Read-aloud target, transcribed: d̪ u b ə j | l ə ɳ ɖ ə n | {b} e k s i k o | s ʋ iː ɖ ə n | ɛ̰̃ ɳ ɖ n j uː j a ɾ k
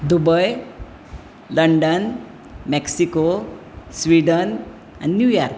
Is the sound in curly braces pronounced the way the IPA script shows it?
no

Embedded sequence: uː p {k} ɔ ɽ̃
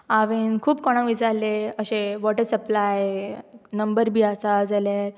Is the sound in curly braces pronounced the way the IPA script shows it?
yes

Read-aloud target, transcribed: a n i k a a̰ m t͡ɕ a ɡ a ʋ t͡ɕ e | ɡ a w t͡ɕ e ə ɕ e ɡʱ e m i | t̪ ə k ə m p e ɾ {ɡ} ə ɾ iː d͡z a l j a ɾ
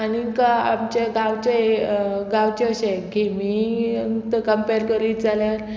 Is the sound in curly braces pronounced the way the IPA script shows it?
no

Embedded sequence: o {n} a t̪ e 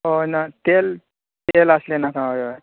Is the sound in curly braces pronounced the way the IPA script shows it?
yes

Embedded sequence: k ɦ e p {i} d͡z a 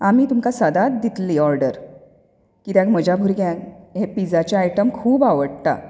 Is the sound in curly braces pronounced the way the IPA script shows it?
yes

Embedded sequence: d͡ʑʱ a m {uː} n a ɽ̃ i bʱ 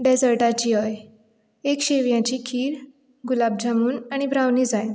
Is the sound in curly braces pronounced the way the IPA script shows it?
yes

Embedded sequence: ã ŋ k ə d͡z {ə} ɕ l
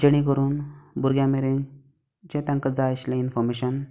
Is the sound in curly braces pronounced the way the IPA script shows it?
no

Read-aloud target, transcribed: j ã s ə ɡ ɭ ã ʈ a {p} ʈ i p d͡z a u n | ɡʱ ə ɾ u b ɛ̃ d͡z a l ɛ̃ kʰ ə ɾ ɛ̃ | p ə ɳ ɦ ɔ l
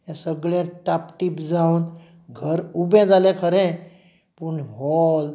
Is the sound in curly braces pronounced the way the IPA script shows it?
yes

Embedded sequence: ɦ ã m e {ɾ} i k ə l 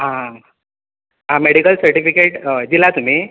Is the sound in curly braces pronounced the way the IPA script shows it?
no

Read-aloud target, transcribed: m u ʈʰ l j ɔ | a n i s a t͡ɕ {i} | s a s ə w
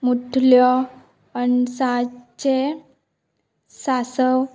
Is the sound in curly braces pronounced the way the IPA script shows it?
no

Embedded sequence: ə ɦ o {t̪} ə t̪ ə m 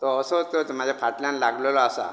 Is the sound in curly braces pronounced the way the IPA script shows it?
yes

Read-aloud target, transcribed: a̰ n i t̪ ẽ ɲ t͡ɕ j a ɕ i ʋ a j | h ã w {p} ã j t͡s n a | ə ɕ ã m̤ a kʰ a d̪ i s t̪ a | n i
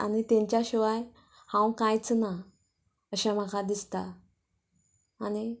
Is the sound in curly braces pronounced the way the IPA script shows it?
no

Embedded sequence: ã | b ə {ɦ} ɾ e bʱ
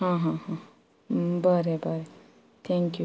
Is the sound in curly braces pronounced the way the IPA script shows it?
no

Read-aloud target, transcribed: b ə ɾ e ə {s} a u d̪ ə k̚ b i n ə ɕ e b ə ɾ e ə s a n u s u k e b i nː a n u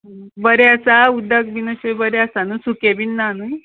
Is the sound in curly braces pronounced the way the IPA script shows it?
yes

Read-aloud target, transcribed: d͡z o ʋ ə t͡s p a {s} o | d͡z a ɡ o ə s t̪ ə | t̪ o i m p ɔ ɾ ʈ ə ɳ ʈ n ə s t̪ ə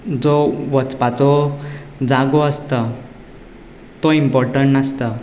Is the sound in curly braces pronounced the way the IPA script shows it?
no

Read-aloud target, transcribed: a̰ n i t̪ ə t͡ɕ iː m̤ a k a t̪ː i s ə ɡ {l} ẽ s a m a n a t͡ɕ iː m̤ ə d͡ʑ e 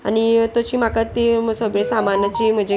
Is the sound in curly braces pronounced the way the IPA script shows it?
no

